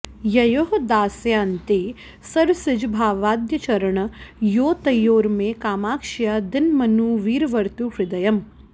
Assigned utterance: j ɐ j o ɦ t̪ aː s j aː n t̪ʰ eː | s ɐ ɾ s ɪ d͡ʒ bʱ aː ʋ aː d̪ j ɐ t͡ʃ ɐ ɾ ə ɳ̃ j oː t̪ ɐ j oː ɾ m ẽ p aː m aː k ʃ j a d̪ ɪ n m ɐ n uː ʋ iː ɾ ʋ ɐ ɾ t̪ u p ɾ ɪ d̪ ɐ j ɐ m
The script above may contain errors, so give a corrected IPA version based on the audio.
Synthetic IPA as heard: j ɐ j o ɦ d̪ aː s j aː n t̪ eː | s ɐ ɾ s ɪ d͡ʒ bʱ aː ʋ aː d̪ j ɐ t͡ʃ ɐ ɾ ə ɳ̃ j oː t̪ ɐ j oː ɾ m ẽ k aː m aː k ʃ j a d̪ ɪ n m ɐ n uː ʋ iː ɾ ʋ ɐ ɾ t̪ u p ɾ ɪ d̪ ɐ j ɐ m